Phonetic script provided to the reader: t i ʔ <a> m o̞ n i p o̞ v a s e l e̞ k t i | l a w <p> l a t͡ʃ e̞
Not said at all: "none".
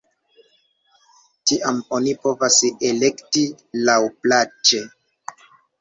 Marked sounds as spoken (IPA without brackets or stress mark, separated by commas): a, p